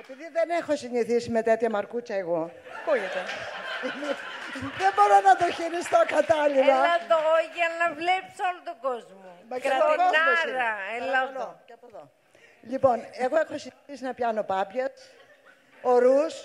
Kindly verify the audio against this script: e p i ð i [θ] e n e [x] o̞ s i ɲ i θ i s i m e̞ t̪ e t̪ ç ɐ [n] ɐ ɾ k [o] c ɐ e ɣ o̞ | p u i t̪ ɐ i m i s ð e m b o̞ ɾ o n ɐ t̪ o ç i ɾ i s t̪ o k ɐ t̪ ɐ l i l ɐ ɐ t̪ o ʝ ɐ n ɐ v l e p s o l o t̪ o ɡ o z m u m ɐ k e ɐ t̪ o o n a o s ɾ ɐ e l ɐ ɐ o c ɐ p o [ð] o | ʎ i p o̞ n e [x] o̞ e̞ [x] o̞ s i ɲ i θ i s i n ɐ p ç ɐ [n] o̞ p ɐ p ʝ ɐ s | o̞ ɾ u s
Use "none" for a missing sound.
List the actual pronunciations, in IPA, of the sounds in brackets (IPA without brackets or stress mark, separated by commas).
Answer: ð, x, m, u, ð, ɣ, x, n